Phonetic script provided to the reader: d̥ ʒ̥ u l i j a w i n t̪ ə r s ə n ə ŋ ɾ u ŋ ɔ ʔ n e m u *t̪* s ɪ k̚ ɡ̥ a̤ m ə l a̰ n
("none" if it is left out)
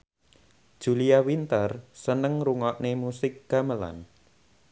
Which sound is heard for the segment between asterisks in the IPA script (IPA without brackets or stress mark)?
none